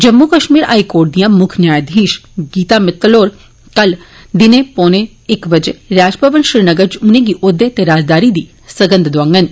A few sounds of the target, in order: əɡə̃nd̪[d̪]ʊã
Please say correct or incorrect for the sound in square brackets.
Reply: correct